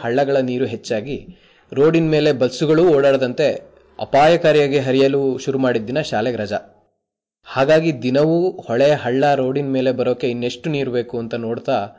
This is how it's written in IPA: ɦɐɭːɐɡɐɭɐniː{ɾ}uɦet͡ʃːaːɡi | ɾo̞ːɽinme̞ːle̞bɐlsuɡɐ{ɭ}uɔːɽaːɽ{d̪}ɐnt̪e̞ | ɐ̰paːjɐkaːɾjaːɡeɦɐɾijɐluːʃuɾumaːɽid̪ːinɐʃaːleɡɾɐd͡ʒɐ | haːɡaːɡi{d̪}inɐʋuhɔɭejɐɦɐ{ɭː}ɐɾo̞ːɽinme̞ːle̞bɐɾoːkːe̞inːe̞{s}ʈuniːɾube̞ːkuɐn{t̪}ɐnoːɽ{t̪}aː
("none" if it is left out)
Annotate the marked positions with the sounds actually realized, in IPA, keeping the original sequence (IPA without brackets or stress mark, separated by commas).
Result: ɾ, ɭ, d̪, d̪, ɭː, ʂ, t̪, t̪